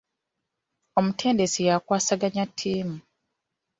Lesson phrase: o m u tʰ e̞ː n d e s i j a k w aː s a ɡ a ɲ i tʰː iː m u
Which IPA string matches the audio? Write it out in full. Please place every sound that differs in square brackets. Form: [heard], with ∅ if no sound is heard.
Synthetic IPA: o m u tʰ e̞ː n d e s i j a k w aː s a ɡ a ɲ [a] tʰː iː m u